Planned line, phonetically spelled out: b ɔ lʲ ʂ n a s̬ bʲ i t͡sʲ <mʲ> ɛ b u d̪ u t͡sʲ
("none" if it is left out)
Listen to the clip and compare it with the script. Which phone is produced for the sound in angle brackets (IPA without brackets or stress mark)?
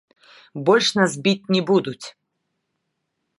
nʲ